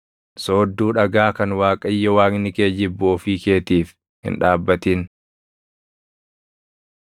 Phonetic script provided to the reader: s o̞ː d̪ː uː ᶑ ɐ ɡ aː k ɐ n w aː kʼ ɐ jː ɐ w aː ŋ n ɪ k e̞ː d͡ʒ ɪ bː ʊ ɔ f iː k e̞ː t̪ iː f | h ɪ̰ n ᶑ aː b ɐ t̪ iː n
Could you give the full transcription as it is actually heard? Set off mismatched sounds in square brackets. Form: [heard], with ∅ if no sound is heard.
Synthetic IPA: s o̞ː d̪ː uː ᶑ ɐ ɡ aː k ɐ n w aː kʼ ɐ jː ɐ w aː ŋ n ɪ k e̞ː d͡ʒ ɪ bː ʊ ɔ f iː k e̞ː t̪ iː f | h ɪ̰ n ᶑ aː [bː] ɐ t̪ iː n

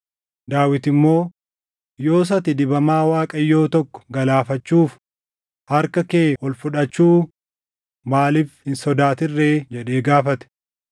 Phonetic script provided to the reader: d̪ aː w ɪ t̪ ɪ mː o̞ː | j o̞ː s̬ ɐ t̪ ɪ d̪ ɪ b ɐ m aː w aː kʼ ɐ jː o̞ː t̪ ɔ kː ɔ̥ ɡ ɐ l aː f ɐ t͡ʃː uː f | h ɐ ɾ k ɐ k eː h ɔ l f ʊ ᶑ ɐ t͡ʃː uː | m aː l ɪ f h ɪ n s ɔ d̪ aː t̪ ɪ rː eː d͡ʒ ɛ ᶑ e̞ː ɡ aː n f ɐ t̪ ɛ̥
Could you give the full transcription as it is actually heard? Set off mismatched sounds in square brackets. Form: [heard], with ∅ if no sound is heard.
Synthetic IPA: d̪ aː w ɪ t̪ ɪ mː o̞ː | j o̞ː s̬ ɐ t̪ ɪ d̪ ɪ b ɐ m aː w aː kʼ ɐ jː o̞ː t̪ ɔ kː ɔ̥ ɡ ɐ l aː f ɐ t͡ʃː uː f | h ɐ ɾ k ɐ k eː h ɔ l f ʊ ᶑ ɐ t͡ʃː uː | m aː l ɪ f h ɪ n s ɔ d̪ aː t̪ ɪ rː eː d͡ʒ ɛ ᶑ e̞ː ɡ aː [∅] f ɐ t̪ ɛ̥

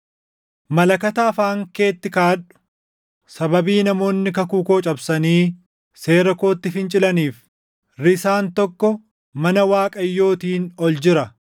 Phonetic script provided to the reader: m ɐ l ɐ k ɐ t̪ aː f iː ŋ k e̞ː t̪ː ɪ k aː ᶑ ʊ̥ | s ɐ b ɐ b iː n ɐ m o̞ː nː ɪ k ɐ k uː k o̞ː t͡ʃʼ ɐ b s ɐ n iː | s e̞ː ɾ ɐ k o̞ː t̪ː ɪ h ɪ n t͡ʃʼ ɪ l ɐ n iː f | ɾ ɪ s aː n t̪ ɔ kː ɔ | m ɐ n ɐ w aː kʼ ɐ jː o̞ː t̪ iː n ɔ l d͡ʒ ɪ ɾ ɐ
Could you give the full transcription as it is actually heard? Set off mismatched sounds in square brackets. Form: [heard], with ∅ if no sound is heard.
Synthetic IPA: m ɐ l ɐ k ɐ t̪ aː f [aː] ŋ k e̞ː t̪ː ɪ k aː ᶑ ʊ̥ | s ɐ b ɐ b iː n ɐ m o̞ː nː ɪ k ɐ k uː k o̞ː t͡ʃʼ ɐ b s ɐ n iː | s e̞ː ɾ ɐ k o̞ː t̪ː ɪ [f] ɪ n t͡ʃʼ ɪ l ɐ n iː f | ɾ ɪ s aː n t̪ ɔ kː ɔ | m ɐ n ɐ w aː kʼ ɐ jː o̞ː t̪ iː n ɔ l d͡ʒ ɪ ɾ ɐ

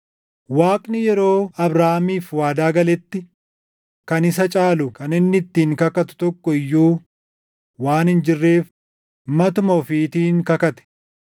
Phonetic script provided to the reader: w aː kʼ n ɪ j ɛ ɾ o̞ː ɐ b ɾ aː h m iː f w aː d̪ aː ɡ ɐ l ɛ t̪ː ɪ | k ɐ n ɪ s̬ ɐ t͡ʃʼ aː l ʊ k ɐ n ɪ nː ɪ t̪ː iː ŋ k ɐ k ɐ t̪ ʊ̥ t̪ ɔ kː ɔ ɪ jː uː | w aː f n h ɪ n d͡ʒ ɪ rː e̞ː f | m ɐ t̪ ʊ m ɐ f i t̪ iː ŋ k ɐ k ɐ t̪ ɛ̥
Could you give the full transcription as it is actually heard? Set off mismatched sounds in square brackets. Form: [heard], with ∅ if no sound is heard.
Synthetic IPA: w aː kʼ n ɪ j ɛ ɾ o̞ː ɐ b ɾ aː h m iː f w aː d̪ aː ɡ ɐ l ɛ t̪ː ɪ | k ɐ n ɪ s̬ ɐ t͡ʃʼ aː l ʊ k ɐ n ɪ nː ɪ t̪ː iː ŋ k ɐ k ɐ t̪ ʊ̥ t̪ ɔ kː ɔ ɪ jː uː | w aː [∅] n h ɪ n d͡ʒ ɪ rː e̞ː f | m ɐ t̪ ʊ m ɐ f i t̪ iː ŋ k ɐ k ɐ t̪ ɛ̥

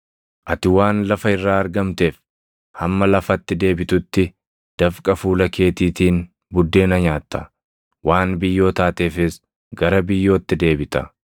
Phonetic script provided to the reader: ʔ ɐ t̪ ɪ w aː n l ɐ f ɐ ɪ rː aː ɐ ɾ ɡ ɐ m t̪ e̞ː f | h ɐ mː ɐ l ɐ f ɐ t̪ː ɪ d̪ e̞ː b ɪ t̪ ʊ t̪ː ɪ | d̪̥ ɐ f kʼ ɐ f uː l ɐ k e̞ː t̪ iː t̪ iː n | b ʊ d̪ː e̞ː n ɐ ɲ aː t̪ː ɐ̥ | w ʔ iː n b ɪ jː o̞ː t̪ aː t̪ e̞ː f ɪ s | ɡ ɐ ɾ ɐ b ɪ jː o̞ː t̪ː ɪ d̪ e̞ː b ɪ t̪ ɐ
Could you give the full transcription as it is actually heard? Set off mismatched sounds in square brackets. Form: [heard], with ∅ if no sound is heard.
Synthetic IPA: ʔ ɐ t̪ ɪ w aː n l ɐ f ɐ ɪ rː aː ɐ ɾ ɡ ɐ m t̪ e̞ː f | h ɐ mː ɐ l ɐ f ɐ t̪ː ɪ d̪ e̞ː b ɪ t̪ ʊ t̪ː ɪ | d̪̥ ɐ f kʼ ɐ f uː l ɐ k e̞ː t̪ iː t̪ iː n | b ʊ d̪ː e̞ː n ɐ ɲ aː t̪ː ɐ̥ | w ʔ [aː] n b ɪ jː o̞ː t̪ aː t̪ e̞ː f ɪ s | ɡ ɐ ɾ ɐ b ɪ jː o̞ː t̪ː ɪ d̪ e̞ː b ɪ t̪ ɐ

